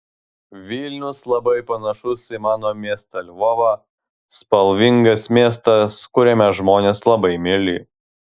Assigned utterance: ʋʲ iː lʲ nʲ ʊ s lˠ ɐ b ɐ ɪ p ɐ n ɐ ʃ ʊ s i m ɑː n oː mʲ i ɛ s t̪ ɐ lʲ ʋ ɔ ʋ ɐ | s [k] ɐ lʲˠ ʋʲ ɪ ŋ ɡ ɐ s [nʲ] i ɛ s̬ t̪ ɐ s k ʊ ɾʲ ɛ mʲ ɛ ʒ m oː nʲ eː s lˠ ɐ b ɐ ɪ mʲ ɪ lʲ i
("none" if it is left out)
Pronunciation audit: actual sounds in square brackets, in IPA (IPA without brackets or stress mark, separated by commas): p, mʲ